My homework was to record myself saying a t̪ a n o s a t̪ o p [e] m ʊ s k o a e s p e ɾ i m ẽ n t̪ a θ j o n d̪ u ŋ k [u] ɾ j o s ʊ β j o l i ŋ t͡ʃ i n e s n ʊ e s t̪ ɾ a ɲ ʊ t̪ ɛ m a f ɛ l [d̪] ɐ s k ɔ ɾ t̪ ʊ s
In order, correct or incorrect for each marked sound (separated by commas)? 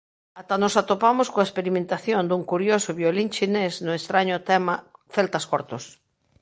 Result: incorrect, correct, incorrect